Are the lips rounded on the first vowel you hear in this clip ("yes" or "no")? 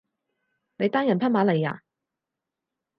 no